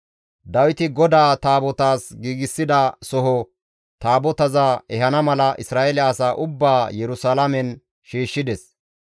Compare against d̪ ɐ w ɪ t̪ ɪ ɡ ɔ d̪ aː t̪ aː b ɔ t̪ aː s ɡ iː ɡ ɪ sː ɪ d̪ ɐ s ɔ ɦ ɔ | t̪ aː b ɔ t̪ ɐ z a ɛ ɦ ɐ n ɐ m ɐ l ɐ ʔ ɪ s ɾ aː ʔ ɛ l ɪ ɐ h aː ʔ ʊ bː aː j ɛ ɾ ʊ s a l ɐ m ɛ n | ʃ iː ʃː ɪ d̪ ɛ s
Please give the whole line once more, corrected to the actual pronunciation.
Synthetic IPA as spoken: d̪ ɐ w ɪ t̪ ɪ ɡ ɔ d̪ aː t̪ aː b ɔ t̪ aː s ɡ iː ɡ ɪ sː ɪ d̪ ɐ s ɔ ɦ ɔ | t̪ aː b ɔ t̪ ɐ z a ɛ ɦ ɐ n ɐ m ɐ l ɐ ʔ ɪ s ɾ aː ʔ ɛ l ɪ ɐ s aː ʔ ʊ bː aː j ɛ ɾ ʊ s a l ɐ m ɛ n | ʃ iː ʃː ɪ d̪ ɛ s